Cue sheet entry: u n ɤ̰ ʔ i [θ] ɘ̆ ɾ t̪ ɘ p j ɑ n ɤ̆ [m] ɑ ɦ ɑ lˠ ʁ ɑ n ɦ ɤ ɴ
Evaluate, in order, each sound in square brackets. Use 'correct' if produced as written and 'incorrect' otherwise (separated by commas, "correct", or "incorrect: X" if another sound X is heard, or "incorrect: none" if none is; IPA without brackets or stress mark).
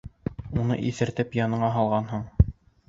correct, incorrect: ɴ